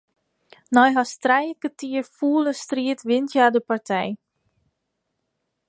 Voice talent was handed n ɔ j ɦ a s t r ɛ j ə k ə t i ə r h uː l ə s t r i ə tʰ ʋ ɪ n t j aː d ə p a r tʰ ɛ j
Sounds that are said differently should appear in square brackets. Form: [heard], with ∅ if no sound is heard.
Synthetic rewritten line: n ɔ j ɦ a s t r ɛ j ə k ə t i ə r [f] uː l ə s t r i ə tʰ ʋ ɪ n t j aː d ə p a r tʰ ɛ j